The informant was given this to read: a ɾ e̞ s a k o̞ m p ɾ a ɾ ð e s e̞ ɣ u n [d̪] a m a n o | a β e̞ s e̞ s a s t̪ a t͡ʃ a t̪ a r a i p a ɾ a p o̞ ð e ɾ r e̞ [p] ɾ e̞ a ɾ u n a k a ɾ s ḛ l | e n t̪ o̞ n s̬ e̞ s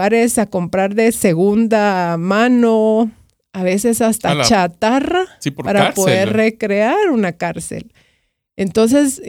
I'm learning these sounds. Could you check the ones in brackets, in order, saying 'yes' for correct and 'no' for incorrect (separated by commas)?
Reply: yes, no